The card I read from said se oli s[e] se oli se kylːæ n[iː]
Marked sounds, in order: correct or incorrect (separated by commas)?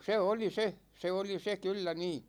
correct, correct